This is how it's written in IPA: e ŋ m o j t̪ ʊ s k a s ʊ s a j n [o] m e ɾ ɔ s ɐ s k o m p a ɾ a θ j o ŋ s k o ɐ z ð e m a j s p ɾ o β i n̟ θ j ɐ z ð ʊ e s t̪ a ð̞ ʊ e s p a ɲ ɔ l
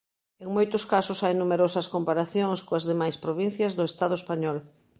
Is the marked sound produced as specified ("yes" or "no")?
no